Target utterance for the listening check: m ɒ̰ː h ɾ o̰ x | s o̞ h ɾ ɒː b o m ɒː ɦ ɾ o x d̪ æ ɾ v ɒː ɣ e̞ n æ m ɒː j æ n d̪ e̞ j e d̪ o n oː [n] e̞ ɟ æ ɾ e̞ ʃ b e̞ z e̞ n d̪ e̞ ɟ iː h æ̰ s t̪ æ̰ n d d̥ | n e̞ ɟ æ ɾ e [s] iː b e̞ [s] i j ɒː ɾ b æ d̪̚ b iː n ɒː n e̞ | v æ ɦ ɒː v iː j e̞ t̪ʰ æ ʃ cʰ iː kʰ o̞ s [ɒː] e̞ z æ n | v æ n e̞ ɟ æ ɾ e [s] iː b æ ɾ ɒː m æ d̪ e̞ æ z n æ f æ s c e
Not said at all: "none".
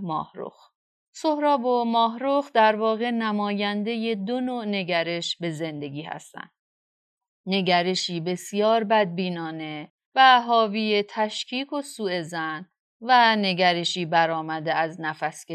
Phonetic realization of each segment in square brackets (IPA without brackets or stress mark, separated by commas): n, ʃ, s, uː, ʃ